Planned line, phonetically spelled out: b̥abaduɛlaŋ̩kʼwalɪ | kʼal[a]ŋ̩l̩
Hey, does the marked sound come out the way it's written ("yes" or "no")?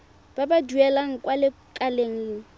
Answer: no